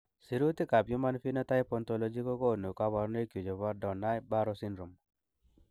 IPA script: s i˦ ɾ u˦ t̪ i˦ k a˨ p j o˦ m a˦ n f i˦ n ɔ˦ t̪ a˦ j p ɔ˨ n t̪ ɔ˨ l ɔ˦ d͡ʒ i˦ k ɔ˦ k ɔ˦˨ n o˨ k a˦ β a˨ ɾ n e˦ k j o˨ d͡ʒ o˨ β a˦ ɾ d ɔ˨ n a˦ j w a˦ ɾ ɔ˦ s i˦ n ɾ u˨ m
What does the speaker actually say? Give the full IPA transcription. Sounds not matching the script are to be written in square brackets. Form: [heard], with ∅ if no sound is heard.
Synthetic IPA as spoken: s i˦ ɾ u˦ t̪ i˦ k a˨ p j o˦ m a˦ n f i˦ n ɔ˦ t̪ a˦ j p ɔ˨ n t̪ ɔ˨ l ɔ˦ d͡ʒ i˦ k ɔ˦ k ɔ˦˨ n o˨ k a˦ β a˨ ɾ n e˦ k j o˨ d͡ʒ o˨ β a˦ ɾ d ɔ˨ n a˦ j [b] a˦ ɾ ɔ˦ s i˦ n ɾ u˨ m

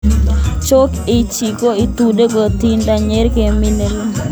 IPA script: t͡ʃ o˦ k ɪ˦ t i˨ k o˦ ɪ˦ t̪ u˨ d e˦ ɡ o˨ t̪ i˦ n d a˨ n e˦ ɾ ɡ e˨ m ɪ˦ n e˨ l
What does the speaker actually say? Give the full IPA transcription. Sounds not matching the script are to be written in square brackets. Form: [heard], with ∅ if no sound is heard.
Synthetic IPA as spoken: t͡ʃ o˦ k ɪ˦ [t͡ʃ] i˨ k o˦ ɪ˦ t̪ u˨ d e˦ ɡ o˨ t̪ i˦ n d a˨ [ɲ] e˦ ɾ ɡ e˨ m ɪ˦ n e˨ l

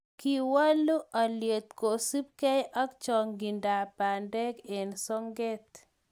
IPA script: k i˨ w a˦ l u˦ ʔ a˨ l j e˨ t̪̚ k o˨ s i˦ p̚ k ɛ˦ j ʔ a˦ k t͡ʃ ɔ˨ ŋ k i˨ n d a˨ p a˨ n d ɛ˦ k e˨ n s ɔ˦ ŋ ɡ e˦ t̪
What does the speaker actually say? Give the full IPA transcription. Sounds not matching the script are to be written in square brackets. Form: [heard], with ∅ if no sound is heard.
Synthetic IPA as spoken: k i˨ w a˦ l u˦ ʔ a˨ l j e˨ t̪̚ k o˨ s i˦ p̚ k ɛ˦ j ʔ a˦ k t͡ʃ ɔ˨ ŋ [ɡ] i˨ n d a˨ p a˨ n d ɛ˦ k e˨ n s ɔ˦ ŋ ɡ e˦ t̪

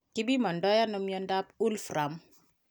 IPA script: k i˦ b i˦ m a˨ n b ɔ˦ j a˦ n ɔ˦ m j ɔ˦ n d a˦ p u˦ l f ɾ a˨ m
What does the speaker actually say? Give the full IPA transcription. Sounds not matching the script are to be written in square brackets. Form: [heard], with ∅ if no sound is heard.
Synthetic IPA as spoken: k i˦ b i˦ m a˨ n [d] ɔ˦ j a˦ n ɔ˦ m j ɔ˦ n d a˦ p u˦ l f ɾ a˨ m

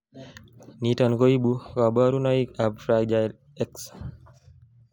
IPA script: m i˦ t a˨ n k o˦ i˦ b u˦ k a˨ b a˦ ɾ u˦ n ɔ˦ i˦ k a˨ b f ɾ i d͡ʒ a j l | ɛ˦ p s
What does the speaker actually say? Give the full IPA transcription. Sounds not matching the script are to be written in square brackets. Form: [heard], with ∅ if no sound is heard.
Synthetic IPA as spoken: [n] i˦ t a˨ n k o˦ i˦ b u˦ k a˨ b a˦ ɾ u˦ n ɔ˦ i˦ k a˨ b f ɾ [a] d͡ʒ a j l | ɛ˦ [k] s

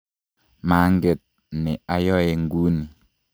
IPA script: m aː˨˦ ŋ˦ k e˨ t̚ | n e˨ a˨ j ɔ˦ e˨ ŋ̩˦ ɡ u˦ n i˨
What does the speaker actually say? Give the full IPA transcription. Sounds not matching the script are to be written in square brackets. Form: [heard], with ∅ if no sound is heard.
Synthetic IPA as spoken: m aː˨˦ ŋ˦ [ɡ] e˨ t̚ | n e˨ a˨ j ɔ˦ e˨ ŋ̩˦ ɡ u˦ n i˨

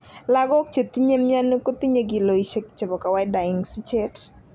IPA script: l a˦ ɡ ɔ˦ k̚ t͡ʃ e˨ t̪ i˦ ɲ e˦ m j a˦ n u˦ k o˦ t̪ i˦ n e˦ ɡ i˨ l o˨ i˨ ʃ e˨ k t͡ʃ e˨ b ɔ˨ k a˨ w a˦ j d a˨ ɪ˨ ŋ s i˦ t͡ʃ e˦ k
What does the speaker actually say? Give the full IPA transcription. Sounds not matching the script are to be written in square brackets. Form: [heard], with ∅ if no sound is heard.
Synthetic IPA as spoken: l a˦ ɡ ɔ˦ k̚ t͡ʃ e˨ t̪ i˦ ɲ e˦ m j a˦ n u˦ k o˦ t̪ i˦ [ɲ] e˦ ɡ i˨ l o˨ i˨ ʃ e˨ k t͡ʃ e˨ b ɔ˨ k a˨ w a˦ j d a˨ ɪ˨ ŋ s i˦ t͡ʃ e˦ [t]

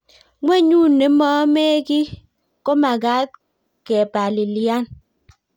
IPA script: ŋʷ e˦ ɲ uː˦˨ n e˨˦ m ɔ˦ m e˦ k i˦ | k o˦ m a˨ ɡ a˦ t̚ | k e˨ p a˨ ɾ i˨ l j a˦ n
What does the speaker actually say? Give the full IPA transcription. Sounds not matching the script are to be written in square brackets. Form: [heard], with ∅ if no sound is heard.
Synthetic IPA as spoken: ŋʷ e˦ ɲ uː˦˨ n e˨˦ m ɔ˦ m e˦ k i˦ | k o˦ m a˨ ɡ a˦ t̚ | k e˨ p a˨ [l] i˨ l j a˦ n

